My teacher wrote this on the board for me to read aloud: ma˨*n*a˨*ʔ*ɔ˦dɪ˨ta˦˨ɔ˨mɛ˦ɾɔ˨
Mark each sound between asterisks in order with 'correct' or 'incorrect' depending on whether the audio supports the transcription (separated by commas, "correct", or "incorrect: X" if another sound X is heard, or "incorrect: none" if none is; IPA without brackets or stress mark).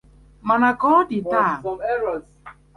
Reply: correct, incorrect: k